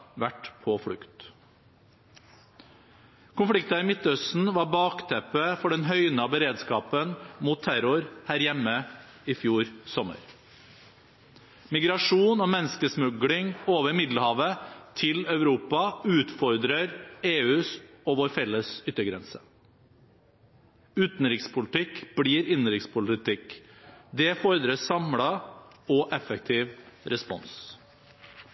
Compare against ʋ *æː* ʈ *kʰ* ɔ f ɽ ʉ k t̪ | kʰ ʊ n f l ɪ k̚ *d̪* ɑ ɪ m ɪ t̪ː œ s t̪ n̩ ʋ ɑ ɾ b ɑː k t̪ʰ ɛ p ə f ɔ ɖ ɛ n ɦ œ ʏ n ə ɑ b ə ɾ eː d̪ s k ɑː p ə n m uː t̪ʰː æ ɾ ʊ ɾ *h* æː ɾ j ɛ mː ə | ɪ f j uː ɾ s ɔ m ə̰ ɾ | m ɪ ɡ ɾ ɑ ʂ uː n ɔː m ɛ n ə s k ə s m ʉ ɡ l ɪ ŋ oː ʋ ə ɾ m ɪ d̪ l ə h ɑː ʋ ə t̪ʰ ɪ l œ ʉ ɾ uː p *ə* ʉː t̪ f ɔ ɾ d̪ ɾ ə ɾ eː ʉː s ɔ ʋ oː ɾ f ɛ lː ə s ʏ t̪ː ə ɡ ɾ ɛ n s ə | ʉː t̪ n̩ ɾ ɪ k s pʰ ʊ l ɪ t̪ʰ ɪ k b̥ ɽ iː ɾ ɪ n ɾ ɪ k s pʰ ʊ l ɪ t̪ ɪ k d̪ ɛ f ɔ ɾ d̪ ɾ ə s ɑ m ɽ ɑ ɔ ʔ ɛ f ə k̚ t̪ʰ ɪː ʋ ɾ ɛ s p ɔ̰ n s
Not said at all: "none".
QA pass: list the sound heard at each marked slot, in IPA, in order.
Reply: æ, pʰ, t̪, h, ɑ

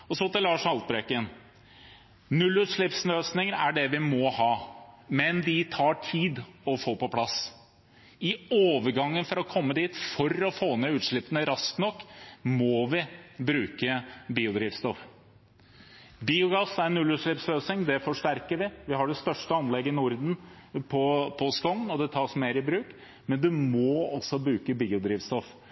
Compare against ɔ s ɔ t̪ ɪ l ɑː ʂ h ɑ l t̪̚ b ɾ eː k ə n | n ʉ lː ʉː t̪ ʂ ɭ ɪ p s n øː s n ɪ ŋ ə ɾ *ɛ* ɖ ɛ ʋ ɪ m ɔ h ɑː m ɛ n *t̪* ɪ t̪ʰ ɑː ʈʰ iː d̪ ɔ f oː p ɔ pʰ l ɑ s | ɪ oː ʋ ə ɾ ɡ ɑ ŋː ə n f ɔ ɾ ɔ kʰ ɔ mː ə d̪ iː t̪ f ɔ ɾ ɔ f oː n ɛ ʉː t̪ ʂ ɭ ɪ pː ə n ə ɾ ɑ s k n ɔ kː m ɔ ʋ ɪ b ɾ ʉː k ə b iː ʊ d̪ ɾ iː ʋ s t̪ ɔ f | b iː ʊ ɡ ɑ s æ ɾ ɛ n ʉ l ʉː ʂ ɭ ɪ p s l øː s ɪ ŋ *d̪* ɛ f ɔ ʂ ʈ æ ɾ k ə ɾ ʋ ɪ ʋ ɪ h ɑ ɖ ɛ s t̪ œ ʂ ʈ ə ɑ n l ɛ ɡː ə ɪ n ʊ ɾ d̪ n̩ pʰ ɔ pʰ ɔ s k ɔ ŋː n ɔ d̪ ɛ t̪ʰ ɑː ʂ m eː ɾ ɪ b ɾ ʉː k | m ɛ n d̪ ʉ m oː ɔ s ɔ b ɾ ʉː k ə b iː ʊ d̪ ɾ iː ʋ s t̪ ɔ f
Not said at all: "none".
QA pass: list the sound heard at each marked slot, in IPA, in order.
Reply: æ, d̪, d̪

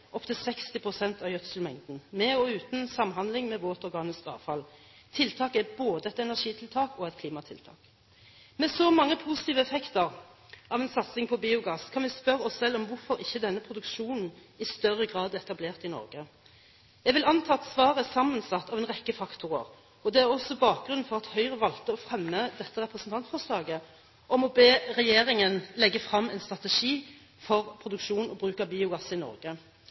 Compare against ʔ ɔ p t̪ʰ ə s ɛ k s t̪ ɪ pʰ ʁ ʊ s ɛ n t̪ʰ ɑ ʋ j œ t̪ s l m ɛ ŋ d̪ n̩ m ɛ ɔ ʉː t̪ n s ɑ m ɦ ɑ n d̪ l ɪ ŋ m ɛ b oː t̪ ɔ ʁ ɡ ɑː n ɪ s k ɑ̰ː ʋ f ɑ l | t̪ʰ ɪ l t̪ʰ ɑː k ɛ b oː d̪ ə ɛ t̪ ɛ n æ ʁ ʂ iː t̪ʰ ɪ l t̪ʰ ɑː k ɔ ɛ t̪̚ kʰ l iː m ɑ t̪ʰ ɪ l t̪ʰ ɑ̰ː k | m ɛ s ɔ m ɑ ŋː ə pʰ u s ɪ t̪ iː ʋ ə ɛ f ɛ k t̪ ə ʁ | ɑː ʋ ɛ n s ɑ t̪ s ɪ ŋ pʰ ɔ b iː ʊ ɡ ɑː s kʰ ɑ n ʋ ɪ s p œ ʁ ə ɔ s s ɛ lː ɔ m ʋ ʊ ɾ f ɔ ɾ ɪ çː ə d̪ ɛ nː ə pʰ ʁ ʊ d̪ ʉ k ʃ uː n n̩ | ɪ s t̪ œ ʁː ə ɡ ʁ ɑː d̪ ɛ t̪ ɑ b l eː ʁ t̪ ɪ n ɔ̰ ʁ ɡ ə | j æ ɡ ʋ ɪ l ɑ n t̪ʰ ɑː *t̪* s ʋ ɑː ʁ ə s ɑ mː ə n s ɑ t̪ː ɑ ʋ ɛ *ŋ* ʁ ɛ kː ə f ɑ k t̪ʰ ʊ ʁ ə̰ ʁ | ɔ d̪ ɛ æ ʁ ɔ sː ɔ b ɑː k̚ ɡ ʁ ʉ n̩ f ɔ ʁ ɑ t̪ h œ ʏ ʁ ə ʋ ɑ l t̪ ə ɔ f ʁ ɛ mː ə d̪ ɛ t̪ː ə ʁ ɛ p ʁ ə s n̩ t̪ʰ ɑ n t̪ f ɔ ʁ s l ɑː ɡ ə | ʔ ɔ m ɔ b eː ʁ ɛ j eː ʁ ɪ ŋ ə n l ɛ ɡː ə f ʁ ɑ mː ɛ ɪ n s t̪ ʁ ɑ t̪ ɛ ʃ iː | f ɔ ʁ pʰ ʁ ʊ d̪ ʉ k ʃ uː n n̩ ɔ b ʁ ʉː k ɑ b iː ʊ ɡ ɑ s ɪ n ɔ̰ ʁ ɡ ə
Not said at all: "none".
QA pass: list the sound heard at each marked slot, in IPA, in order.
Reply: t̪, n

